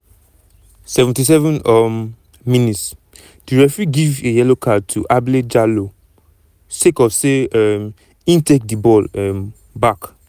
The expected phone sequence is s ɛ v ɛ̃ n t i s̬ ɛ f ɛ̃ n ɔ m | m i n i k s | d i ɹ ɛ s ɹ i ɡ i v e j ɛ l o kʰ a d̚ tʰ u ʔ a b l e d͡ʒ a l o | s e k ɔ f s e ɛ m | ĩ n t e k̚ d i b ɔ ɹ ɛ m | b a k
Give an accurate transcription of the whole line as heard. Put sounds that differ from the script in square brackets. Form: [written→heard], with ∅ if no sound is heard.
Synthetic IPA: s ɛ v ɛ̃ n t i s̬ ɛ [f→v] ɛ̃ n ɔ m | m i n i [k→t] s | d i ɹ ɛ [s→f] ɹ i ɡ i v e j ɛ l o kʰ a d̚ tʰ u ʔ a b l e d͡ʒ a l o | s e k ɔ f s e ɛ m | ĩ n t e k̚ d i b ɔ [ɹ→l] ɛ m | b a k